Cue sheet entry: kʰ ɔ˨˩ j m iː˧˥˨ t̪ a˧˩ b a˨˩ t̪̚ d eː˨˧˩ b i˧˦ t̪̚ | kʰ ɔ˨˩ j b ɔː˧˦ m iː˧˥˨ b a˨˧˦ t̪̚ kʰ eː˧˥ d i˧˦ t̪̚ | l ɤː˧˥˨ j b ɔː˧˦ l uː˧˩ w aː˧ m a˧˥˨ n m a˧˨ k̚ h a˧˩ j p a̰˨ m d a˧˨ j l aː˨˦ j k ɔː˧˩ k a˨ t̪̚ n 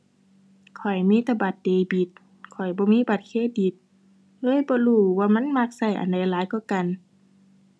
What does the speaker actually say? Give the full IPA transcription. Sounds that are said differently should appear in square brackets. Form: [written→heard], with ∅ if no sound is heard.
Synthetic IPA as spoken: kʰ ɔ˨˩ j m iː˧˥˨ t̪ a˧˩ b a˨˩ t̪̚ d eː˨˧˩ b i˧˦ t̪̚ | kʰ ɔ˨˩ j b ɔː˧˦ m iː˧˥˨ b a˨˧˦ t̪̚ kʰ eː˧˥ d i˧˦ t̪̚ | l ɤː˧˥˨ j b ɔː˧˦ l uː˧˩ w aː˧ m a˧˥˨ n m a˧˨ k̚ [h→s] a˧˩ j [p→ʔ] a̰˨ [m→n] d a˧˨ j l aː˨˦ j k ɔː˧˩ k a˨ [t̪̚→∅] n